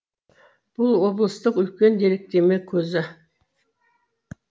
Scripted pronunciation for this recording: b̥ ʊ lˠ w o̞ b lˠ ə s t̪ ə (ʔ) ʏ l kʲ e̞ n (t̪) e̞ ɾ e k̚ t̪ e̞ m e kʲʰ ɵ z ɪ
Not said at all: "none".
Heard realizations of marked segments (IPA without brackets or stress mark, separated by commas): q, d̪